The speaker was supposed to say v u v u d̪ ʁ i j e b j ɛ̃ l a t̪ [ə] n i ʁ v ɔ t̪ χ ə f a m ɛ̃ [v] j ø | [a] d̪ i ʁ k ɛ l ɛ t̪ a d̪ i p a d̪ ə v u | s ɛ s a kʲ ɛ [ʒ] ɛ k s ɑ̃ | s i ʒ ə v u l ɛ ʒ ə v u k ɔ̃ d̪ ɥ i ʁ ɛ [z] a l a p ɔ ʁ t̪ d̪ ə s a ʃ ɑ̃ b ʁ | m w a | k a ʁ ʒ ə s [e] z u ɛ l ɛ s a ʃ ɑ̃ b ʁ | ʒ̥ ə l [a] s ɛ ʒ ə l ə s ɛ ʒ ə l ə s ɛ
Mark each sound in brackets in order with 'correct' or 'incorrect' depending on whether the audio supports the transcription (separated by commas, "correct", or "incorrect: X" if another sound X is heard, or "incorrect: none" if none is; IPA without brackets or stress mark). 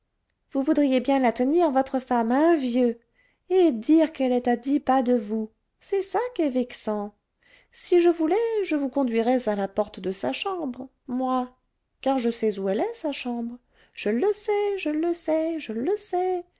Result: correct, correct, incorrect: e, incorrect: v, correct, incorrect: ɛ, incorrect: ə